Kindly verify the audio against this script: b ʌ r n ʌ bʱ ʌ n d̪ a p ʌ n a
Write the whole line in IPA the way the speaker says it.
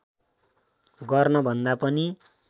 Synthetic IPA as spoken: ɡ ʌ r n ʌ bʱ ʌ n d̪ a p ʌ n i